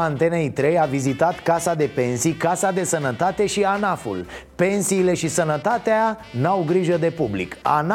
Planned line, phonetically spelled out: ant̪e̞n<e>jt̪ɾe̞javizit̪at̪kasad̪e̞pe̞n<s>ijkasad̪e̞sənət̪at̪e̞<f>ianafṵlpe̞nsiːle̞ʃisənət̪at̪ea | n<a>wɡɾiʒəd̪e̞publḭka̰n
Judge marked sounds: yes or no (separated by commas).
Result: yes, yes, no, yes